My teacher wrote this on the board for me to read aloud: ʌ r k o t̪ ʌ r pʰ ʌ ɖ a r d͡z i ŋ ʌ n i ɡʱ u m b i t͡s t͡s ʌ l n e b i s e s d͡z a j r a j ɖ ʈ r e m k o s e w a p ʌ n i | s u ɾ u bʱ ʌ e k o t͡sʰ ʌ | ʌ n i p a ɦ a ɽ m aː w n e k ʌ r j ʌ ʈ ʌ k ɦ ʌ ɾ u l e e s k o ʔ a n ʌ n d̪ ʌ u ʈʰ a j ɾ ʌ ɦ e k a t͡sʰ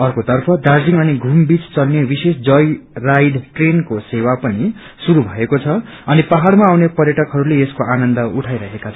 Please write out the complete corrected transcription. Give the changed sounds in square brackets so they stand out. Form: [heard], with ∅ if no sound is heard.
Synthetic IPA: ʌ r k o t̪ ʌ r pʰ ʌ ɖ a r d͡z i ŋ ʌ n i ɡʱ u m b i t͡s t͡s ʌ l n e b i s e s d͡z [ʌ] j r a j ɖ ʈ r e [n] k o s e w a p ʌ n i | s u ɾ u bʱ ʌ e k o t͡sʰ ʌ | ʌ n i p a ɦ a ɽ m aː w n e [p] ʌ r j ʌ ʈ ʌ k ɦ ʌ ɾ u l e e s k o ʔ a n ʌ n d̪ ʌ u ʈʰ a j ɾ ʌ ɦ e k a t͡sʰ